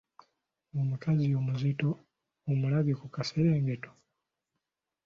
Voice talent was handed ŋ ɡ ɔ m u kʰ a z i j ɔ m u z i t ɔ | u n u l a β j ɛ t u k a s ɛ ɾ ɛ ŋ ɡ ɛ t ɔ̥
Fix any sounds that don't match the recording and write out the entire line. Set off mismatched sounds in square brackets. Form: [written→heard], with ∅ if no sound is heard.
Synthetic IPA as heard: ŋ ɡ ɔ m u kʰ a z i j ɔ m u z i t ɔ | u [n→m] u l a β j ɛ [t→k] u k a s ɛ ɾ ɛ ŋ ɡ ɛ t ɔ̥